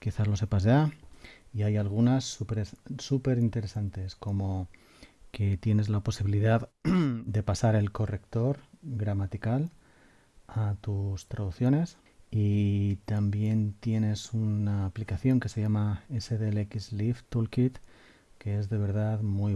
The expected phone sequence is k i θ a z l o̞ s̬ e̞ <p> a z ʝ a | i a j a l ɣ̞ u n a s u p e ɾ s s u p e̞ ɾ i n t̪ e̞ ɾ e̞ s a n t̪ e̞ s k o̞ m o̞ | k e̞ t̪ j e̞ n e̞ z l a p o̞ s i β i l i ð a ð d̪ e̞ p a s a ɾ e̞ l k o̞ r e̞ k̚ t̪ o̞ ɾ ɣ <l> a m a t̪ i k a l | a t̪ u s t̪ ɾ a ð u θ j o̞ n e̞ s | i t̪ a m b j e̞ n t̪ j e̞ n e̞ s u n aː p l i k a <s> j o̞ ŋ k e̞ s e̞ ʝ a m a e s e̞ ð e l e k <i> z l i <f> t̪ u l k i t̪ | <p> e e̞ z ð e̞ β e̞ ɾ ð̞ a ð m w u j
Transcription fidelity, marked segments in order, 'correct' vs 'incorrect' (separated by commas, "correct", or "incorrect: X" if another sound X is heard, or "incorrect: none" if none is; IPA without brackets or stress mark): correct, incorrect: ɾ, incorrect: θ, correct, correct, incorrect: k